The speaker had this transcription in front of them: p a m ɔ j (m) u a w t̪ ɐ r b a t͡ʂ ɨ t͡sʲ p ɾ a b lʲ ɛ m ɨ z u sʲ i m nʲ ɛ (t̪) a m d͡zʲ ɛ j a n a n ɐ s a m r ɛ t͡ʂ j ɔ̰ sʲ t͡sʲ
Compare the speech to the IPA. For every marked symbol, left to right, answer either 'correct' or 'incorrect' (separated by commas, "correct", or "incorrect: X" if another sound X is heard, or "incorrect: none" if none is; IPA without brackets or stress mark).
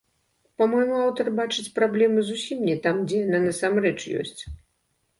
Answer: correct, correct